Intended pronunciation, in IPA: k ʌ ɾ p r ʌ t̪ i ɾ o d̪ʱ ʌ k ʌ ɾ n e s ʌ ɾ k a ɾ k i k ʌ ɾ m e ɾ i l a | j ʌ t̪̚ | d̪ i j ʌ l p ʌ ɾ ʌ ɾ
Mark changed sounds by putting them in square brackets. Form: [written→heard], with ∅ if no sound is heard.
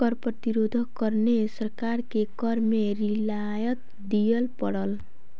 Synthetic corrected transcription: k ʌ ɾ p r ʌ t̪ i ɾ o d̪ʱ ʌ k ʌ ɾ n e s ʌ ɾ k a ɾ k [i→e] k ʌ ɾ m e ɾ i l a | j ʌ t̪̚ | d̪ i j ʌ l p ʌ [ɾ→ɽ] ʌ [ɾ→l]